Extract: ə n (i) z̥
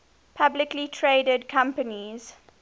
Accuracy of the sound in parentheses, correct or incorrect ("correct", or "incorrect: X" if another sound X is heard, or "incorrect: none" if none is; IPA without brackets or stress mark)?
correct